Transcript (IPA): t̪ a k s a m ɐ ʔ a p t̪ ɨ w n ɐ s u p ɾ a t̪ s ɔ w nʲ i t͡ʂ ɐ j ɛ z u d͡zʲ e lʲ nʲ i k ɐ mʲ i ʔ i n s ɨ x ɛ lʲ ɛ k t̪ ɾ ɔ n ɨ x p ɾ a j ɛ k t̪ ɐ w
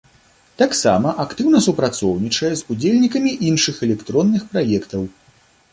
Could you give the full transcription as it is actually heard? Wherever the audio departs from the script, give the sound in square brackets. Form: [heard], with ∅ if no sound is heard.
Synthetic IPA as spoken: t̪ a k s a m ɐ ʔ a [k] t̪ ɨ w n ɐ s u p ɾ a t̪ s ɔ w nʲ i t͡ʂ ɐ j ɛ z u d͡zʲ e lʲ nʲ i k ɐ mʲ i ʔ i n [ʂ] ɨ x ɛ lʲ ɛ k t̪ ɾ ɔ [nː] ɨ x p ɾ a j ɛ k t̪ ɐ w